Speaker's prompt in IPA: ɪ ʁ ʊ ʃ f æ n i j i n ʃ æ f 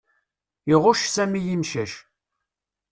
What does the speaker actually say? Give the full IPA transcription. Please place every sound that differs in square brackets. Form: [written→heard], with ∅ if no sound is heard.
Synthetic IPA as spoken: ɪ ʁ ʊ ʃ [f→s] æ [n→m] i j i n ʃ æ [f→ʃ]